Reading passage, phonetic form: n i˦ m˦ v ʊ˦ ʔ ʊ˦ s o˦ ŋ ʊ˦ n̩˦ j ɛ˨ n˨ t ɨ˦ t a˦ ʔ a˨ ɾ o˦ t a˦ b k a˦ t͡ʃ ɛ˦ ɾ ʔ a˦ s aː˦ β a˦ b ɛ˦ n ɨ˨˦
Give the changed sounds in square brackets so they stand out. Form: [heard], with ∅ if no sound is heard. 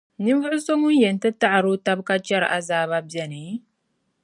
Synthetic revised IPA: n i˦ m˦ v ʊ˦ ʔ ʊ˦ s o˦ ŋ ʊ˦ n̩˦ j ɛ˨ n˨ t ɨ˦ t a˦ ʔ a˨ ɾ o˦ t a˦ b k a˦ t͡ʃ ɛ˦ ɾ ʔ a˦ [z] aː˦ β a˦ b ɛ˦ n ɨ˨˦